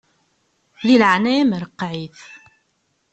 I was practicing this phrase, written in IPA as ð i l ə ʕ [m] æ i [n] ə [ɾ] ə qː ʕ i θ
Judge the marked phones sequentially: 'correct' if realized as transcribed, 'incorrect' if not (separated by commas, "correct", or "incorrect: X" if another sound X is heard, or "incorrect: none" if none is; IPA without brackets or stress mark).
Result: incorrect: n, incorrect: m, correct